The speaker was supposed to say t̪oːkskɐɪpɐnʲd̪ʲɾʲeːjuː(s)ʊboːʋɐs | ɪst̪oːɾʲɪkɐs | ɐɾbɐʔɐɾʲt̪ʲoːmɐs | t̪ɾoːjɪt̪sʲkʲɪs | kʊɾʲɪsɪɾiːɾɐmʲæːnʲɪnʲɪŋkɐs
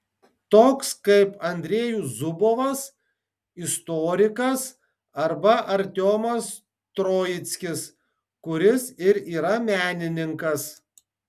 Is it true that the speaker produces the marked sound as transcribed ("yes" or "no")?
no